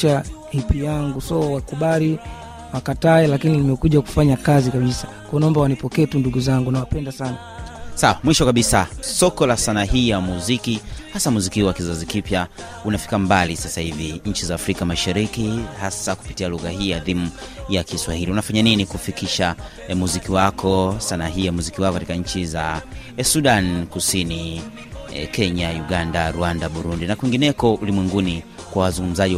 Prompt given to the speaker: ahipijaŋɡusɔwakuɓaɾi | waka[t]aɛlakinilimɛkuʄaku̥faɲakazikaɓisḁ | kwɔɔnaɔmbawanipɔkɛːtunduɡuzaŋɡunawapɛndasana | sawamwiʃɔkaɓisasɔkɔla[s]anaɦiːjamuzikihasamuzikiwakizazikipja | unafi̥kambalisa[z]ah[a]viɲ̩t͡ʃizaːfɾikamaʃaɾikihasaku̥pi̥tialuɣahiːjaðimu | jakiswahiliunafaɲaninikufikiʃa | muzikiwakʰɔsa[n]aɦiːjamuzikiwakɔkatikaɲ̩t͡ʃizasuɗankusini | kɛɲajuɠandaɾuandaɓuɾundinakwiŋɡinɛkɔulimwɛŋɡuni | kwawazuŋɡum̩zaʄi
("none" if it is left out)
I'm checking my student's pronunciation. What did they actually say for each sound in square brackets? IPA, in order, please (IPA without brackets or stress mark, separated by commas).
t, s, s, i, n